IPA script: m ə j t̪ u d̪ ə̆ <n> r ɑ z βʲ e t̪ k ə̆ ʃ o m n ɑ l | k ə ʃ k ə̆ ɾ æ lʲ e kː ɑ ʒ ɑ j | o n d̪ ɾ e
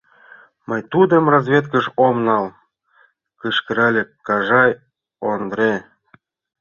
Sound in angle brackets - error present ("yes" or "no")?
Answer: yes